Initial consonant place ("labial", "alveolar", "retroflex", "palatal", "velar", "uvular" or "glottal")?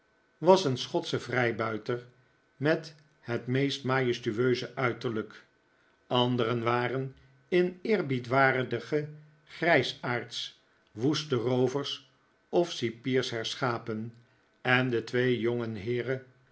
labial